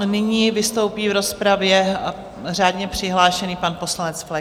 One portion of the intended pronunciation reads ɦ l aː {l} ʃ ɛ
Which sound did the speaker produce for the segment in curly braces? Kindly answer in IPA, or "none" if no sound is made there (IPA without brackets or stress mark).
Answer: none